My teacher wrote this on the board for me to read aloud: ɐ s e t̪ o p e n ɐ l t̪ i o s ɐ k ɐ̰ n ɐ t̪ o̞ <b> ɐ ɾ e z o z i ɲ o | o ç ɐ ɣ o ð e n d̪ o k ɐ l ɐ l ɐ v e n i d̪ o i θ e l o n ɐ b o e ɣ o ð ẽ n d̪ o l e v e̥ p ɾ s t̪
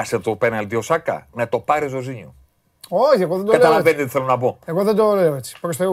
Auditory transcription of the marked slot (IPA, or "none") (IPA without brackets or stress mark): p